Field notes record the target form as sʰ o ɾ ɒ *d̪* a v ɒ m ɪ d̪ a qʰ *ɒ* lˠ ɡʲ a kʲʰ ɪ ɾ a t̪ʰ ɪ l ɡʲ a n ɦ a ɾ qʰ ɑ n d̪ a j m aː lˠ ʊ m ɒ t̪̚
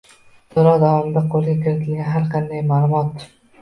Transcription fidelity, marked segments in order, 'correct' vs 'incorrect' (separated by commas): correct, incorrect